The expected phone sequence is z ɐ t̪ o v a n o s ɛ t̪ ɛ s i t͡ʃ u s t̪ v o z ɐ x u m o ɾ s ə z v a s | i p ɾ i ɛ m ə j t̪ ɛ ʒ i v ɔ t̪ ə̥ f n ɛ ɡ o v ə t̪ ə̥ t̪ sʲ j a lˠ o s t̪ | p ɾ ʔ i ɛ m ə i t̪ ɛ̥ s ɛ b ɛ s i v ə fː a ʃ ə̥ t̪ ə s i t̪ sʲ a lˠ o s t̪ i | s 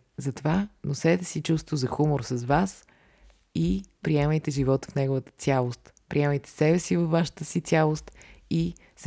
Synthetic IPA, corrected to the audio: z ɐ t̪ o v a n o s ɛ t̪ ɛ s i t͡ʃ u s t̪ v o z ɐ x u m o ɾ s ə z v a s | i p ɾ i ɛ m ə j t̪ ɛ ʒ i v ɔ t̪ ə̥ f n ɛ ɡ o v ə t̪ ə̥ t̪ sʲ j a lˠ o s t̪ | p ɾ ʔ i ɛ m ə j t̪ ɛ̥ s ɛ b ɛ s i v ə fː a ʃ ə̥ t̪ ə s i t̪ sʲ a lˠ o s t̪ i | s